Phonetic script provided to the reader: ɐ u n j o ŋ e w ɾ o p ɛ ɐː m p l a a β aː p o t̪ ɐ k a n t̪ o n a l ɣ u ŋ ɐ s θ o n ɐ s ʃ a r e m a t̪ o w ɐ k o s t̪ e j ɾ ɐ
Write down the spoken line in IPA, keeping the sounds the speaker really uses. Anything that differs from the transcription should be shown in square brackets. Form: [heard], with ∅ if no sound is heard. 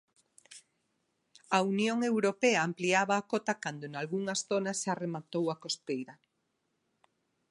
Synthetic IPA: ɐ u n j o ŋ e w ɾ o p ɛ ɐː m p l [i] a β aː [k] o t̪ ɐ k a n [d̪] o n a l ɣ u ŋ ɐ s θ o n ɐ s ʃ a r e m a t̪ o w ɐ k o s t̪ e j ɾ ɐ

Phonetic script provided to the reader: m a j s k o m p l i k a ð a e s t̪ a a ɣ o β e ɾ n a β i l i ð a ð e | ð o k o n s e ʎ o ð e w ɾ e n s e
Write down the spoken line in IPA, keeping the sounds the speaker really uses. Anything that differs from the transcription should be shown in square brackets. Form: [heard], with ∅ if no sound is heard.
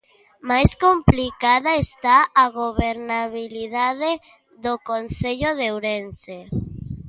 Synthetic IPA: m a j s k o m p l i k a ð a e s t̪ a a ɣ o β e ɾ n a β i l i ð a ð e | ð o k o n [θ] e ʎ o ð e w ɾ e n s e

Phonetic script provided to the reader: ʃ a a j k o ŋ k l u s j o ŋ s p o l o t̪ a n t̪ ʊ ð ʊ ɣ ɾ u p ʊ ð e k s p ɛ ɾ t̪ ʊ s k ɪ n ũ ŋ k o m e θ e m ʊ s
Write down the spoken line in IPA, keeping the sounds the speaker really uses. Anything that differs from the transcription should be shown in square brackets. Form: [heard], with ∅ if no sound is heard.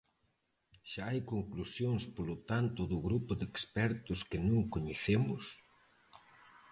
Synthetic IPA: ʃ a a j k o ŋ k l u s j o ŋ s p o l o t̪ a n t̪ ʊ ð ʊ ɣ ɾ u p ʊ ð e k s p ɛ ɾ t̪ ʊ s k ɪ n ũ ŋ k o [ɲ] e θ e m ʊ s

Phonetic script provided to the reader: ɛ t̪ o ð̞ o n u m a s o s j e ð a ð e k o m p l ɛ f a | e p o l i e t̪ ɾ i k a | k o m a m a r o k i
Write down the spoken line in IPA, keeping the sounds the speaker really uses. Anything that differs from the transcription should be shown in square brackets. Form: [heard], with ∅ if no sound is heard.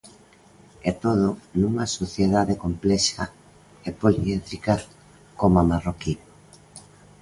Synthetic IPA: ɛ t̪ o ð̞ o n u [ŋ] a s o [θ] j e ð a ð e k o m p l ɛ [ʃ] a | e p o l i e t̪ ɾ i k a | k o m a m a r o k i

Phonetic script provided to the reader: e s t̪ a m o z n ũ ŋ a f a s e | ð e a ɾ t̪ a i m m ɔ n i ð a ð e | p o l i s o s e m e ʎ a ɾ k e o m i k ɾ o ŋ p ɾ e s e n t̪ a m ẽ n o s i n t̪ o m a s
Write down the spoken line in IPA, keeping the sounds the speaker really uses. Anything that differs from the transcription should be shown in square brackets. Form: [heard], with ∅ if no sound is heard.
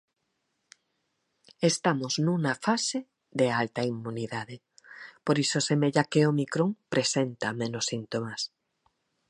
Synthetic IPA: e s t̪ a m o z n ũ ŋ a f a s e | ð e a [l] t̪ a i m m [u] n i ð a ð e | p o [ɾ] i s o s e m e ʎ a [∅] k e o m i k ɾ o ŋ p ɾ e s e n t̪ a m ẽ n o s i n t̪ o m a s

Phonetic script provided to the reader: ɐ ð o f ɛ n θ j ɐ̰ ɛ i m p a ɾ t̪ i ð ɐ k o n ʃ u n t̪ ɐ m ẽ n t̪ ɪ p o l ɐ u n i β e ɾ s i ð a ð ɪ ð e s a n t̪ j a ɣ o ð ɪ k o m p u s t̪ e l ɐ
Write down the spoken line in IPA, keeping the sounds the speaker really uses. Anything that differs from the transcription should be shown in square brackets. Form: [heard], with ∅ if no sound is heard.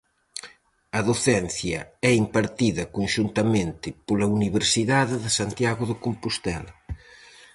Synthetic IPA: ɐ ð o [θ] ɛ n θ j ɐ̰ ɛ i m p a ɾ t̪ i ð ɐ k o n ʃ u n t̪ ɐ m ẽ n t̪ ɪ p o l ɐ u n i β e ɾ s i ð a ð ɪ ð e s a n t̪ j a ɣ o ð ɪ k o m p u s t̪ [ɛ] l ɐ

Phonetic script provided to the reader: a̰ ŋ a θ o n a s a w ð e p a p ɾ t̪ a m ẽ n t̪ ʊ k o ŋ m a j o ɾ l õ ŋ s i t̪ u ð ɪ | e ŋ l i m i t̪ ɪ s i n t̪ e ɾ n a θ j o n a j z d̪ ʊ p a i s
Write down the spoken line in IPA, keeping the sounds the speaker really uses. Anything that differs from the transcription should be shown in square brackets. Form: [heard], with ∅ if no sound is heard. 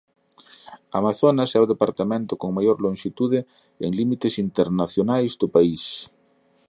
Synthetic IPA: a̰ [m] a θ o n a s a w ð e p a [∅] ɾ t̪ a m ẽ n t̪ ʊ k o ŋ m a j o ɾ l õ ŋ [ʃ] i t̪ u ð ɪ | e ŋ l i m i t̪ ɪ s i n t̪ e ɾ n a θ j o n a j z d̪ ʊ p a i s

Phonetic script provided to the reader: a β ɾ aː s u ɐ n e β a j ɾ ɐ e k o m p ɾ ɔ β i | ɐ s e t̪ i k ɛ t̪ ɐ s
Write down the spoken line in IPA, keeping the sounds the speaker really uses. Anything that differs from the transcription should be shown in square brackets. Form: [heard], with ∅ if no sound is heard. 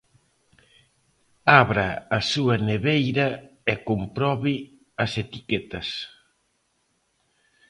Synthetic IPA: a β ɾ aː s u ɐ n e β [e] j ɾ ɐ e k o m p ɾ ɔ β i | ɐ s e t̪ i k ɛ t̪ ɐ s

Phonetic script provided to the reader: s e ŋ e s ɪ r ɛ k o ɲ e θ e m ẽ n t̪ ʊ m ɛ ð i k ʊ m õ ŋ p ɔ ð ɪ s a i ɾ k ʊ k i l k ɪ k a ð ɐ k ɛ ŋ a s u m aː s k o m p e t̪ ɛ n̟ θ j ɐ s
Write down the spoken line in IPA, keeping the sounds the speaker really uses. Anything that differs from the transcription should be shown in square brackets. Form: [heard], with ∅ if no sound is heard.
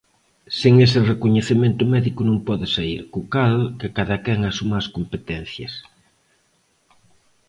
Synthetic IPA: s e ŋ e s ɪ r [e] k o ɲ e θ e m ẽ n t̪ ʊ m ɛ ð i k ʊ [n] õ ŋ p ɔ ð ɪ s a i ɾ k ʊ k [a] l k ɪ k a ð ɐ k ɛ ŋ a s u m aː s k o m p e t̪ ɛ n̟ θ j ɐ s

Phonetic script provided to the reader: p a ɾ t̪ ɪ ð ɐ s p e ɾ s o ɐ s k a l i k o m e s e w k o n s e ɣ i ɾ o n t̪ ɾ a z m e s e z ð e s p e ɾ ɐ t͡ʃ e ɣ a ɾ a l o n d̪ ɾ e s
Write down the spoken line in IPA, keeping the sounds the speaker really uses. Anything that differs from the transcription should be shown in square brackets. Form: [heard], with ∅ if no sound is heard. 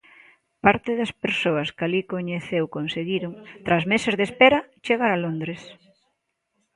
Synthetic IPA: p a ɾ t̪ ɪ ð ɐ s p e ɾ s o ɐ s k a l i k o [ɲ] e [θ] e w k o n s e ɣ i ɾ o [ŋ] t̪ ɾ a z m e s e z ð e s p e ɾ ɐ t͡ʃ e ɣ a ɾ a l o n d̪ ɾ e s

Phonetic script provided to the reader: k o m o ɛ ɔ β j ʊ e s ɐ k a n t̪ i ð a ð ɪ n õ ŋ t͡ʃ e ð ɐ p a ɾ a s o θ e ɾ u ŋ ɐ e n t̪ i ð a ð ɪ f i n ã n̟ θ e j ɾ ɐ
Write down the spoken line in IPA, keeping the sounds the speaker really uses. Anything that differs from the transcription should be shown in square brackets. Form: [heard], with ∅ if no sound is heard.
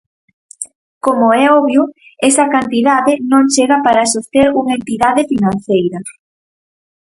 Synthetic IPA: k o m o ɛ ɔ β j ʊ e s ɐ k a n t̪ i ð a ð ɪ n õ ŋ t͡ʃ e [ɣ] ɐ p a ɾ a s o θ e ɾ u ŋ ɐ e n t̪ i ð a ð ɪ f i n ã n̟ θ e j ɾ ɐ

